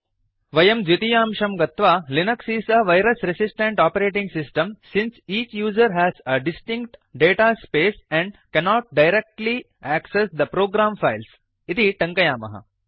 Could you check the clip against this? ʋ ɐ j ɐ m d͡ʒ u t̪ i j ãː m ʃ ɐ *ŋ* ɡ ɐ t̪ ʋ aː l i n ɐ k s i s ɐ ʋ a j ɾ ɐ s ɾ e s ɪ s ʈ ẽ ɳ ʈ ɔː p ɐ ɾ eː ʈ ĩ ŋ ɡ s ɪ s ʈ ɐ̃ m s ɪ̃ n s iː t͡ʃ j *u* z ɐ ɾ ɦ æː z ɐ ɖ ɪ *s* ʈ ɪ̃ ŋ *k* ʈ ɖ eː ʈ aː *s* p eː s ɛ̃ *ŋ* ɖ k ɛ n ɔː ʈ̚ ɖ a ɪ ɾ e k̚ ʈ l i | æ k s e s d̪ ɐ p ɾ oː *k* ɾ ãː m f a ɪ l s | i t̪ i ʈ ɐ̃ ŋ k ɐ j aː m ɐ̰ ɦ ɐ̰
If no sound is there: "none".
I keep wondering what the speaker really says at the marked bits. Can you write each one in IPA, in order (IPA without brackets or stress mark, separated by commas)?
m, uː, s, k, s, ɳ, ɡ